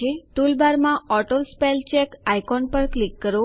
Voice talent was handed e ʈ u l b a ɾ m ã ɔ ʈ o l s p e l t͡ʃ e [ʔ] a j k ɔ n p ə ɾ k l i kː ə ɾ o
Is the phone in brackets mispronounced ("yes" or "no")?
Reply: yes